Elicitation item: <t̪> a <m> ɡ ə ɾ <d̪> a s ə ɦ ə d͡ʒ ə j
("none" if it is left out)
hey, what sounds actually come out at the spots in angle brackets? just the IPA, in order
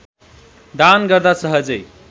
d̪, n, d̪

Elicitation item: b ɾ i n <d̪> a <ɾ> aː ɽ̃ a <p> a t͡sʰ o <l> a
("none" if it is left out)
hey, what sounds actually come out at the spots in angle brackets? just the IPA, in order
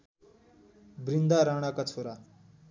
d̪, ɾ, k, ɾ

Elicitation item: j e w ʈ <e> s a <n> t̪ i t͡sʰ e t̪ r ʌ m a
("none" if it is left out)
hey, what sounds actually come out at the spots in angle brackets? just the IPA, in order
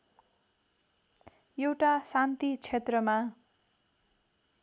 a, n

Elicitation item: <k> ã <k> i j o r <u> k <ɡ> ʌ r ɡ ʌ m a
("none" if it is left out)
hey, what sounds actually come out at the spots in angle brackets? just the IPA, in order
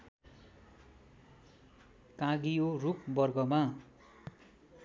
k, ɡ, u, b

